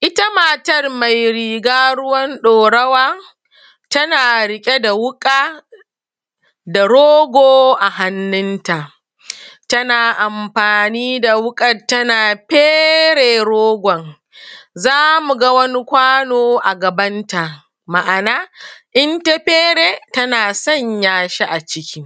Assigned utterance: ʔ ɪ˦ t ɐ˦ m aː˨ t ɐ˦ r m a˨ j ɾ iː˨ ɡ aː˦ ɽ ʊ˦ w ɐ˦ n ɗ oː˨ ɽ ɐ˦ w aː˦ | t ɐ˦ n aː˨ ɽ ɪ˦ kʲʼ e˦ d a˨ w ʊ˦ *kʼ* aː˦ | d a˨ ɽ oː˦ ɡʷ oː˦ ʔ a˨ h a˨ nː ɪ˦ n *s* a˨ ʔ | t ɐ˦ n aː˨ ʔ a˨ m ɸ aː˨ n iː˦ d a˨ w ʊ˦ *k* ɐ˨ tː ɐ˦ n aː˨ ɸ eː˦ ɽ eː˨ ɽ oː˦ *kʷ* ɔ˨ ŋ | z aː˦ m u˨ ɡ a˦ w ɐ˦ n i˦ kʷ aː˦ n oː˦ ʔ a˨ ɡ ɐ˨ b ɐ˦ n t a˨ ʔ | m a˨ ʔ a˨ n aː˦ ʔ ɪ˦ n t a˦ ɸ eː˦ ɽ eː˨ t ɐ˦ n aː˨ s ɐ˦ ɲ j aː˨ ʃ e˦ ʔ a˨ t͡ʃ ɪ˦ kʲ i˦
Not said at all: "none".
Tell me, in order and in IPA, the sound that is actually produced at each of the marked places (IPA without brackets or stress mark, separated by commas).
kʼ, t, kʼ, ɡʷ